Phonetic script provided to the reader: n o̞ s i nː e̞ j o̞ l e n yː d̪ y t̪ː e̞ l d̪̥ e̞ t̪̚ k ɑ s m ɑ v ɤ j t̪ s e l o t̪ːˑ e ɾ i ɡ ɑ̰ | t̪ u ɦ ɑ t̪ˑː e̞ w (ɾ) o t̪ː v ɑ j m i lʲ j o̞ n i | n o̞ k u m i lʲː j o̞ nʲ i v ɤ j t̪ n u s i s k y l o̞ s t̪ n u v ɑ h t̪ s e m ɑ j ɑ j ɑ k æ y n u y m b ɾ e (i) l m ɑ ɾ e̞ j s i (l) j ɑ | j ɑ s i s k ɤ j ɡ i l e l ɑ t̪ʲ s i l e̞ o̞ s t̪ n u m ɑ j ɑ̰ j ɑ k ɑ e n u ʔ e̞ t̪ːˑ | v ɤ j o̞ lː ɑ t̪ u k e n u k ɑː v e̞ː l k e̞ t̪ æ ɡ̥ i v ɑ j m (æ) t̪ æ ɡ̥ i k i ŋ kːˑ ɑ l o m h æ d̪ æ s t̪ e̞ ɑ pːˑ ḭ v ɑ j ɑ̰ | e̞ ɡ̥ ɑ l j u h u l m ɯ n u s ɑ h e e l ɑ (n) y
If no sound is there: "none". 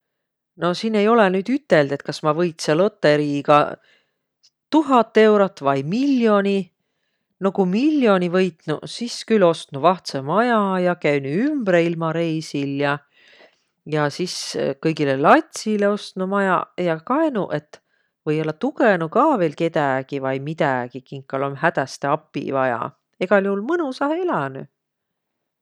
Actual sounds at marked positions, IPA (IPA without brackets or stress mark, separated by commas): ɾ, i, l, i, n